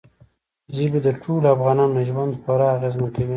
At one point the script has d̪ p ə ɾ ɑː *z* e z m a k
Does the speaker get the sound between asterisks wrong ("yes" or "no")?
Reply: yes